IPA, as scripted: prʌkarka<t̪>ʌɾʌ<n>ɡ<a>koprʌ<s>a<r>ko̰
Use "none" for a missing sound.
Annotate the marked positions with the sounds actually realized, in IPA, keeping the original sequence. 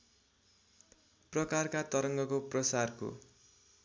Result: t̪, ŋ, ʌ, s, r

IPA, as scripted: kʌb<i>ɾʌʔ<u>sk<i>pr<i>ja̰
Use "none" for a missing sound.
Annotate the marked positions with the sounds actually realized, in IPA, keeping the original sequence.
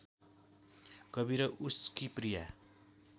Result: i, u, i, i

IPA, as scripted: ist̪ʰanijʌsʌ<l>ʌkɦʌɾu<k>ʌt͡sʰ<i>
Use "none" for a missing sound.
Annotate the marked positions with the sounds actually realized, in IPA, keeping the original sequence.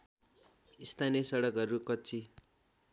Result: ɽ, k, i

